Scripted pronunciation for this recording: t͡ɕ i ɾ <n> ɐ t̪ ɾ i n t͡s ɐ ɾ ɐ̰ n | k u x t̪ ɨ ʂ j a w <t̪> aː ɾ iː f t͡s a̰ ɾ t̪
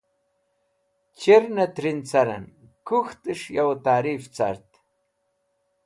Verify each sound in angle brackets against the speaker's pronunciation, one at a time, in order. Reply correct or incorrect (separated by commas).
correct, correct